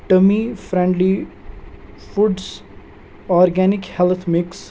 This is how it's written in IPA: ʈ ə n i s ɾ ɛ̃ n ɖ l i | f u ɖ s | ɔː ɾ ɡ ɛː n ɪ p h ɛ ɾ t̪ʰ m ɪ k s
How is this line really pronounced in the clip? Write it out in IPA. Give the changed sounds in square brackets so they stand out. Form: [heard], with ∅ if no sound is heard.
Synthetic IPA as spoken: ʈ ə [m] i [f] ɾ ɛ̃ [ɳ] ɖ l i | f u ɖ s | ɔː ɾ ɡ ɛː n ɪ [k] h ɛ [l] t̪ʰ m ɪ k s